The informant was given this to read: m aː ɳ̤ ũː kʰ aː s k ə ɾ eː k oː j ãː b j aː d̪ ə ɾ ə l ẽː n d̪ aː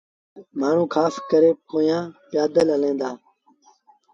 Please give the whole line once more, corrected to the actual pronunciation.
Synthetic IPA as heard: m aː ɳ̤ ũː kʰ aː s k ə ɾ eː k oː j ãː p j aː d̪ ə l ə l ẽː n d̪ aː

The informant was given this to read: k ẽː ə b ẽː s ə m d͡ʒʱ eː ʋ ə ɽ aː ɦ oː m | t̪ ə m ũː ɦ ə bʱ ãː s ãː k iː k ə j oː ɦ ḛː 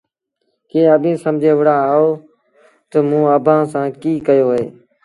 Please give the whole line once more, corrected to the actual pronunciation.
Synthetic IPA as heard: k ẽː ə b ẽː s ə m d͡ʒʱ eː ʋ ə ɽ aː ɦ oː | t̪ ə m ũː ə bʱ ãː s ãː k iː k ə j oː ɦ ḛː

